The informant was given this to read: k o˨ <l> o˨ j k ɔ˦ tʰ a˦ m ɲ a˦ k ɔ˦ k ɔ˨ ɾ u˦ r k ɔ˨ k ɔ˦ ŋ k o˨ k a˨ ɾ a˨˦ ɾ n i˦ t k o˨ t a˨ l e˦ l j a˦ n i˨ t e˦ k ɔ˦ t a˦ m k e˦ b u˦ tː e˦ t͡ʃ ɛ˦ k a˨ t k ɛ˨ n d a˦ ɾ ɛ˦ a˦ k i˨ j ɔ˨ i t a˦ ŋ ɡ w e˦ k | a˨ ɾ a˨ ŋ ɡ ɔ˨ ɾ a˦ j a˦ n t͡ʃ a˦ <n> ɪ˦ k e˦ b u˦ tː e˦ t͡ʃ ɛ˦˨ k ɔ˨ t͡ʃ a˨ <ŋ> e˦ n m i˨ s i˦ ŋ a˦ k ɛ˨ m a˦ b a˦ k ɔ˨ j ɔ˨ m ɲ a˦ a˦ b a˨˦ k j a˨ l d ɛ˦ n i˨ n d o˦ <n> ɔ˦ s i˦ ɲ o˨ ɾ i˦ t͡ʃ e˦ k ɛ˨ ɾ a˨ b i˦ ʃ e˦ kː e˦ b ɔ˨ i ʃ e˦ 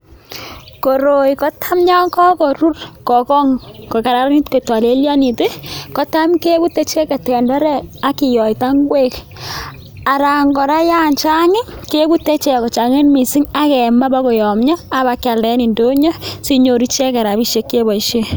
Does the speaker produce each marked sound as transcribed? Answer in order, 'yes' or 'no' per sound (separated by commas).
no, no, yes, no